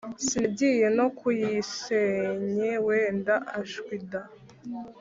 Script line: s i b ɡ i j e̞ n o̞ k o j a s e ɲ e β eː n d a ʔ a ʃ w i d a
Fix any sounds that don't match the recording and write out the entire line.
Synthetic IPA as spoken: s i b ɟ i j e̞ n o̞ k u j i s e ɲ e w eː n d a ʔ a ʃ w i d a